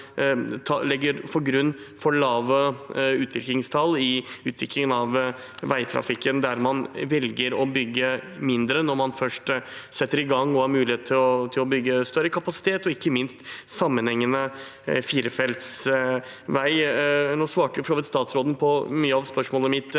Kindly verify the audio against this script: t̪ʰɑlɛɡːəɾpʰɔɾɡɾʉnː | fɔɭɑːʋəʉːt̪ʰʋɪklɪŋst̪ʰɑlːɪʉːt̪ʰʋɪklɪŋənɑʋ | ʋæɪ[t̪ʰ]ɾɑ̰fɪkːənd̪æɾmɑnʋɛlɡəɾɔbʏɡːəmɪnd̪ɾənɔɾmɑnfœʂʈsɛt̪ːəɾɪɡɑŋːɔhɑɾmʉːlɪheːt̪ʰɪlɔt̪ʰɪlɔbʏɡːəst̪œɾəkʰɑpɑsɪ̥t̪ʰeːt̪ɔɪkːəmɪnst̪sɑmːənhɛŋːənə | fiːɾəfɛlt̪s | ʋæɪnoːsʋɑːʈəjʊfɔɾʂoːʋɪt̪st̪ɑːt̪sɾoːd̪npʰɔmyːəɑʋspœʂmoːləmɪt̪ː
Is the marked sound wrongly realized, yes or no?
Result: no